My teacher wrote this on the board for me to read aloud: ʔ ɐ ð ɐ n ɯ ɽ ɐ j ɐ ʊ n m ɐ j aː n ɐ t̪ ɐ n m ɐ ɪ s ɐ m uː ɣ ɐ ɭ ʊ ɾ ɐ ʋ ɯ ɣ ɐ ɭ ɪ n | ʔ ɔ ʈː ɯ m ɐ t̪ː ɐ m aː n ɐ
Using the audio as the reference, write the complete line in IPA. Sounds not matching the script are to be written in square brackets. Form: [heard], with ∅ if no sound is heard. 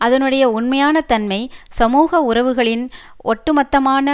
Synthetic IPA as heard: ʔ ɐ ð ɐ n ɯ ɽ ɐ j ɐ ʊ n m ɐ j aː n ɐ t̪ ɐ n m ɐ ɪ s ɐ m uː ɣ ɐ [∅] ʊ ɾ ɐ ʋ ɯ ɣ ɐ ɭ ɪ n | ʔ ɔ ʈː ɯ m ɐ t̪ː ɐ m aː n ɐ

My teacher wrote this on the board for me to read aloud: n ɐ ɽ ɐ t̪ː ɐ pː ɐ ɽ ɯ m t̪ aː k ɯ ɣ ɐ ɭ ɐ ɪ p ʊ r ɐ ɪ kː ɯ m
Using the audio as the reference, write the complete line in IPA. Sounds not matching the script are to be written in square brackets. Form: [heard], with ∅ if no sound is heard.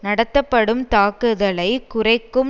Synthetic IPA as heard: n ɐ ɽ ɐ t̪ː ɐ pː ɐ ɽ ɯ m t̪ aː k ɯ [ð] ɐ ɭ ɐ ɪ [k] ʊ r ɐ ɪ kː ɯ m

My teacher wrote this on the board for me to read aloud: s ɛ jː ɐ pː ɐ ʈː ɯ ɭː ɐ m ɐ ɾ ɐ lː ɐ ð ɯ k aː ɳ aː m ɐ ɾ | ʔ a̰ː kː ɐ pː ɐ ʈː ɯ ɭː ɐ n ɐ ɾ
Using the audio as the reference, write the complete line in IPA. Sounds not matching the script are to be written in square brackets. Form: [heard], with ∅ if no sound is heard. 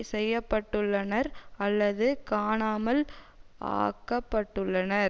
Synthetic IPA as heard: s ɛ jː ɐ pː ɐ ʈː ɯ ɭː ɐ [n] ɐ ɾ ɐ lː ɐ ð ɯ k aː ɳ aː m ɐ [l] | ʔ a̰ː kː ɐ pː ɐ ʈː ɯ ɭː ɐ n ɐ ɾ

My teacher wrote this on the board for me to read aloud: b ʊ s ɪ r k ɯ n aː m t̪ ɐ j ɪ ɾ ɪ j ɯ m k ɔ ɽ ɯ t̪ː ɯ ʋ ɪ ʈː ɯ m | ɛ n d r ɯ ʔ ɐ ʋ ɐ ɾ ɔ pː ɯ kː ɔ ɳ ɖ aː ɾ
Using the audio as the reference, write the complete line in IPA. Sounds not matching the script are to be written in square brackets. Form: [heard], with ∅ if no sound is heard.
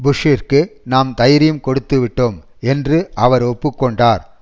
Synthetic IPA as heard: b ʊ [ʂ] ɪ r k ɯ n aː m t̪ ɐ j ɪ ɾ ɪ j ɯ m k ɔ ɽ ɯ t̪ː ɯ ʋ ɪ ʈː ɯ m | ɛ n d r ɯ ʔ ɐ ʋ ɐ ɾ ɔ pː ɯ kː ɔ ɳ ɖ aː ɾ

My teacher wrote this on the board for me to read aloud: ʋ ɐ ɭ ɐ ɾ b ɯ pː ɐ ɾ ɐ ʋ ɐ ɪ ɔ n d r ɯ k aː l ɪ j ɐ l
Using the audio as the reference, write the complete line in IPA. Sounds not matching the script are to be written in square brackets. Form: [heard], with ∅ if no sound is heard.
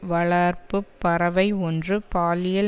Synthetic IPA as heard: ʋ ɐ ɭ ɐ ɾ [p] ɯ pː ɐ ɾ ɐ ʋ ɐ ɪ ɔ n d r ɯ [p] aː l ɪ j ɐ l

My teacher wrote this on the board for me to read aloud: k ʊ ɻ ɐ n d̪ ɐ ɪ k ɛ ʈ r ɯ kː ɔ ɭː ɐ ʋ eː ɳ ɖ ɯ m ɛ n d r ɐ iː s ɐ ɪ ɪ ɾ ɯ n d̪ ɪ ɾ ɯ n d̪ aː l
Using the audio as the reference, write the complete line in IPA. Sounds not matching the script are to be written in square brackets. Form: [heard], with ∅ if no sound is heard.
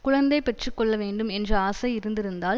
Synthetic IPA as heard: k ʊ ɻ ɐ n d̪ ɐ ɪ [p] ɛ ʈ r ɯ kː ɔ ɭː ɐ ʋ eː ɳ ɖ ɯ m ɛ n d r ɐ [aː] s ɐ ɪ ɪ ɾ ɯ n d̪ ɪ ɾ ɯ n d̪ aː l

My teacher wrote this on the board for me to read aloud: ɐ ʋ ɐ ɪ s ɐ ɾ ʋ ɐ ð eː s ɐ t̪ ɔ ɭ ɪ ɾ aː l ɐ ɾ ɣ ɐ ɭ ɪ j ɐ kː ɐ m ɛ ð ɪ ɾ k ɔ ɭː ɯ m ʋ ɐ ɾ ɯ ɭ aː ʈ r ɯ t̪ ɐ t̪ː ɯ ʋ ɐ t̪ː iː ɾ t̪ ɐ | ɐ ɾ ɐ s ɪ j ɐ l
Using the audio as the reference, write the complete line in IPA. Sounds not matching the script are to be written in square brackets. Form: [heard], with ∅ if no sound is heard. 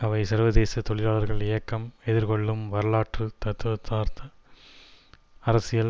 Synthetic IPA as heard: ɐ ʋ ɐ ɪ s ɐ ɾ ʋ ɐ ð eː s ɐ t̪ ɔ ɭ ɪ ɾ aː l ɐ ɾ ɣ ɐ ɭ ɪ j ɐ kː ɐ m ɛ ð ɪ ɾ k ɔ ɭː ɯ m ʋ ɐ ɾ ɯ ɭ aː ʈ r ɯ t̪ ɐ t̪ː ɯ ʋ ɐ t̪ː [aː] ɾ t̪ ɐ | ɐ ɾ ɐ s ɪ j ɐ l

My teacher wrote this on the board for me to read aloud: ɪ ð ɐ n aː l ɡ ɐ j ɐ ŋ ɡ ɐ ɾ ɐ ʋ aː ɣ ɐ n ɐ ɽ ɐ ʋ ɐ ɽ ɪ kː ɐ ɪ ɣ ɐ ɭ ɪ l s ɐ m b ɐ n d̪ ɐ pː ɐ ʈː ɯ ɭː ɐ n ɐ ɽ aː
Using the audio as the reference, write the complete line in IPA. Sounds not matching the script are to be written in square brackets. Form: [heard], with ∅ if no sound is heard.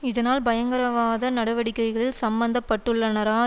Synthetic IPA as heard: ɪ ð ɐ n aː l [b] ɐ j ɐ ŋ ɡ ɐ ɾ ɐ ʋ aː [ð] ɐ n ɐ ɽ ɐ ʋ ɐ ɽ ɪ kː ɐ ɪ ɣ ɐ ɭ ɪ l s ɐ m b ɐ n d̪ ɐ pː ɐ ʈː ɯ ɭː ɐ n ɐ [ɾ] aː

